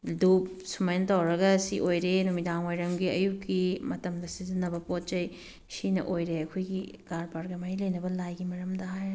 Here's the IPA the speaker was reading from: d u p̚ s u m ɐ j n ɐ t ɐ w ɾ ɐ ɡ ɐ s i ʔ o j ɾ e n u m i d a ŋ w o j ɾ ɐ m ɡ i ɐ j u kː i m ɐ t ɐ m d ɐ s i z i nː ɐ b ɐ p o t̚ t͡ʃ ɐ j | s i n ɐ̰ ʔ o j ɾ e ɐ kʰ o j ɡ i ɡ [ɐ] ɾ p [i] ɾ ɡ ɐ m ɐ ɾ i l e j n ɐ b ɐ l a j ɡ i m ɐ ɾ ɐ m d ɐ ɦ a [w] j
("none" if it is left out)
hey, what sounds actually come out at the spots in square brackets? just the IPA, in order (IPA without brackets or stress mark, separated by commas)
a, a, none